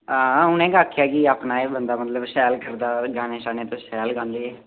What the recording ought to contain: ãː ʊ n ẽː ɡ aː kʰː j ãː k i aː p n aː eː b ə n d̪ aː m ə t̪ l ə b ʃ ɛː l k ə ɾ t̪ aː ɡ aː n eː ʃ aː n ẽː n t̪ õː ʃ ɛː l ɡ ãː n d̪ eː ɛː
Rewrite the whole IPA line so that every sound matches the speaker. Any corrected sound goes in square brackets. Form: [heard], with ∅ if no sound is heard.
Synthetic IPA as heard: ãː ʊ n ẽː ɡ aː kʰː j [aː] k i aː p n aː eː b ə n d̪ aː m ə t̪ l ə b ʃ ɛː l k ə ɾ [d̪] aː ɡ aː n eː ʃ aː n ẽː [∅] t̪ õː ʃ ɛː l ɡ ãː n d̪ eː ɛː